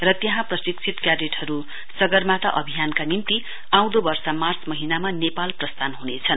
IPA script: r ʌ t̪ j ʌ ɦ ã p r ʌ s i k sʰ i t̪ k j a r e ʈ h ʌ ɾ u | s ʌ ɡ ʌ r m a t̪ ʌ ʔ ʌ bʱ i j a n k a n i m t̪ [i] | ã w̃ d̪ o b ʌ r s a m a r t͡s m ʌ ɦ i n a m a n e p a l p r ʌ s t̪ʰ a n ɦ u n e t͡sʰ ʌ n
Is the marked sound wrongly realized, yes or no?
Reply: no